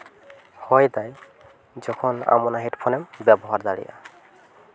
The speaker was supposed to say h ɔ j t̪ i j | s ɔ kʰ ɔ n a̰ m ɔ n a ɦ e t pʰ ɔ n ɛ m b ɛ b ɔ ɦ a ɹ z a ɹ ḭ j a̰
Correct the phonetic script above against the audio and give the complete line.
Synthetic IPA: h ɔ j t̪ a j | z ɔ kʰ ɔ n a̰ m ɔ n a ɦ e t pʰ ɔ n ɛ m b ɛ b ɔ ɦ a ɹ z a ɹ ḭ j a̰